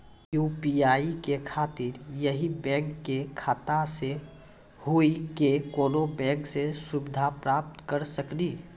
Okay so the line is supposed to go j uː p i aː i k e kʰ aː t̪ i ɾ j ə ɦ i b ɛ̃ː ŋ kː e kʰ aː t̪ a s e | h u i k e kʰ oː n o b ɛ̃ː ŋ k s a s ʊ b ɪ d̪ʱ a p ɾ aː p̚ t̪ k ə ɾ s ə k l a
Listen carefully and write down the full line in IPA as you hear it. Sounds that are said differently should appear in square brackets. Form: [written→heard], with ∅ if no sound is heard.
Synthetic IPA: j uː p i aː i k e kʰ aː t̪ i ɾ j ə ɦ i b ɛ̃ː ŋ kː e kʰ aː t̪ a s e | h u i k e [kʰ→k] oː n o b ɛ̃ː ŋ k s [a→e] s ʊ b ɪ d̪ʱ a p ɾ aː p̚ t̪ k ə ɾ s ə k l [a→i]